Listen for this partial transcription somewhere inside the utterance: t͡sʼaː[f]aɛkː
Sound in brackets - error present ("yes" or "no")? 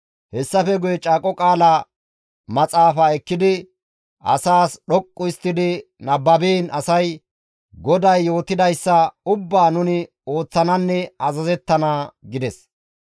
no